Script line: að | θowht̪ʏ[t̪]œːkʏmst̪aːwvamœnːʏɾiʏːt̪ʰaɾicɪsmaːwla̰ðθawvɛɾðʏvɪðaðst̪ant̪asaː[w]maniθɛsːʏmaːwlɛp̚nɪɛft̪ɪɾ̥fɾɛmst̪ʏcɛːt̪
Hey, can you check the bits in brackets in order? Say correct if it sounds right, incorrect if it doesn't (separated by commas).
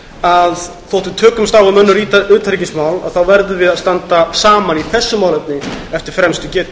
incorrect, incorrect